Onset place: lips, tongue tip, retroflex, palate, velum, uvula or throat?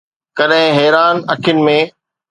velum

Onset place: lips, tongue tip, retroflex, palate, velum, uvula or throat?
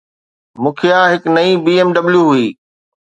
lips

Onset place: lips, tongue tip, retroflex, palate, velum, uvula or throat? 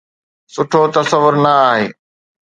tongue tip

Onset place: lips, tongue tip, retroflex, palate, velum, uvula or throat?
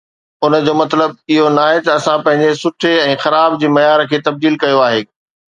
tongue tip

